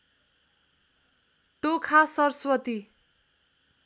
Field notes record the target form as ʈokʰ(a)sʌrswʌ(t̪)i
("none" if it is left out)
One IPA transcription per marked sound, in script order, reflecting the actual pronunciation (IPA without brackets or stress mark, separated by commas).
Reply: a, t̪